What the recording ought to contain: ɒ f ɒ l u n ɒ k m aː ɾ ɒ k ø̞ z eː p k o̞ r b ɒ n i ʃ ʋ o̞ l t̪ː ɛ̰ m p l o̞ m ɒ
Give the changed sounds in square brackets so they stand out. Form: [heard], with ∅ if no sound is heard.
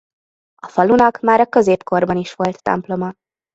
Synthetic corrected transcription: ɒ f ɒ l u n ɒ k m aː ɾ ɒ k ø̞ z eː p k o̞ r b ɒ n i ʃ ʋ o̞ l t̪ː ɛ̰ m p l o̞ m ɒ